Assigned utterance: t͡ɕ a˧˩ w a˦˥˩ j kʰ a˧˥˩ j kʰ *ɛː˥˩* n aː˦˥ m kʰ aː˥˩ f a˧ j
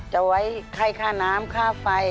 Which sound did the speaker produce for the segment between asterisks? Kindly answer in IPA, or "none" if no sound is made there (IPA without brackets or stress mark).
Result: aː˥˩